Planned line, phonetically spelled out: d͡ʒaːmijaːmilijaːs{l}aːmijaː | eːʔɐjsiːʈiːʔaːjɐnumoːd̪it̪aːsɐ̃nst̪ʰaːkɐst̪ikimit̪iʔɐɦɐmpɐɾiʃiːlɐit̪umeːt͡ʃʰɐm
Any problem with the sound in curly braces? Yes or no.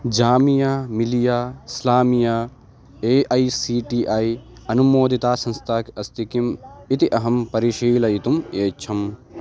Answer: no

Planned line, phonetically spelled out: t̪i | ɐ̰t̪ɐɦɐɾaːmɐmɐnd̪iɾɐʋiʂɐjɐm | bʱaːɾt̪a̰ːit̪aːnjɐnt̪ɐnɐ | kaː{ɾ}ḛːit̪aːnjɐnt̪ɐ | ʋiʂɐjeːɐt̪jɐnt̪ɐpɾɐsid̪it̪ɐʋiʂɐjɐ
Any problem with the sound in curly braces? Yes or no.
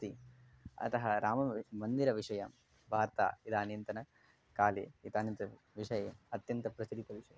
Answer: yes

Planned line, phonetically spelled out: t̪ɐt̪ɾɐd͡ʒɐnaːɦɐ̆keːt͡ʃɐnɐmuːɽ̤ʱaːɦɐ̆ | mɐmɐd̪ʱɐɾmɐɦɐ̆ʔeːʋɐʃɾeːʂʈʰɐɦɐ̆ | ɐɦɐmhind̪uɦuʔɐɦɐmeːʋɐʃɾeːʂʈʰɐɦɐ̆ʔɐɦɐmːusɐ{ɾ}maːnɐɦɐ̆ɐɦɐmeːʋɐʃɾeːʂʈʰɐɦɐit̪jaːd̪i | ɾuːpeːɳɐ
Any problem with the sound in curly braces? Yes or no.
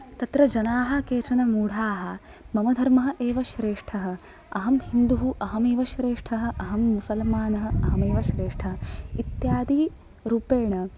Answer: yes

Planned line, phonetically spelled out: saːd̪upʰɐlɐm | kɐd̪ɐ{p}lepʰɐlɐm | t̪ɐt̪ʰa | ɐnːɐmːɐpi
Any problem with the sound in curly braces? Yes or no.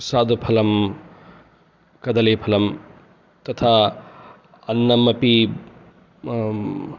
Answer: yes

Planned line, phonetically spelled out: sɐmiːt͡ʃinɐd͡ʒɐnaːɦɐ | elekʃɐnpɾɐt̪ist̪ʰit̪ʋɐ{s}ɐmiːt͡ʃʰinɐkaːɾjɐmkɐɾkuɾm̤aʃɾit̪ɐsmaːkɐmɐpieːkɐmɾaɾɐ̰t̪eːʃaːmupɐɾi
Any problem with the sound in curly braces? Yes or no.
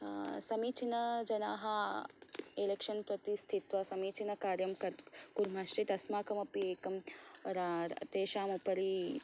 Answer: no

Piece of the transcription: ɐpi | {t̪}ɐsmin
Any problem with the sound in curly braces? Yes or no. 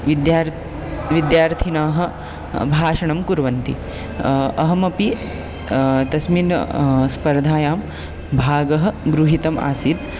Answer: no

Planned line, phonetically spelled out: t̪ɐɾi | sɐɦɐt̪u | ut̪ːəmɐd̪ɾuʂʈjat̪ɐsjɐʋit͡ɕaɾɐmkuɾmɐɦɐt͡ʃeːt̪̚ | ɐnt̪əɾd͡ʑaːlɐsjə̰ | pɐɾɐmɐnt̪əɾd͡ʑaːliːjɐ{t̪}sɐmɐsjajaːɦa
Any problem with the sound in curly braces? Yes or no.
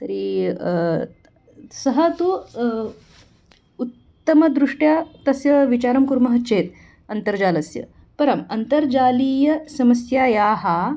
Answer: yes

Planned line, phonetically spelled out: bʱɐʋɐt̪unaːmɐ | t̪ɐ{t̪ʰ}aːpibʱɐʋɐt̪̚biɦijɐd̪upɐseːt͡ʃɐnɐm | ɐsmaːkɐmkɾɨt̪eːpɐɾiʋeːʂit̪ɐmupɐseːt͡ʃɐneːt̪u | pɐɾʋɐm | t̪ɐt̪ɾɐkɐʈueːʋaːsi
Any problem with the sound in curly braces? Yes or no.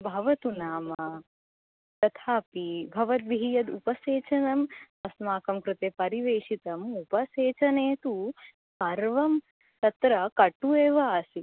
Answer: no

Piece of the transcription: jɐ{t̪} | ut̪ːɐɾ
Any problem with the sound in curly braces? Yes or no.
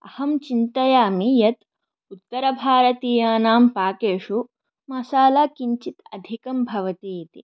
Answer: no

